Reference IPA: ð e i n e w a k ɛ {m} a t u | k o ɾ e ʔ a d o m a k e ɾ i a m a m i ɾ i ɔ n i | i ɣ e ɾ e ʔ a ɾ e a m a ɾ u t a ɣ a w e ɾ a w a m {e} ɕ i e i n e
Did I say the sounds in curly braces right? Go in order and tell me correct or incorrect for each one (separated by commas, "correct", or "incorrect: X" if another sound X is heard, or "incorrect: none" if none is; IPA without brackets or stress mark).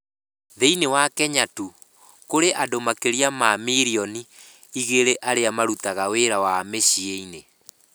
incorrect: ɲ, correct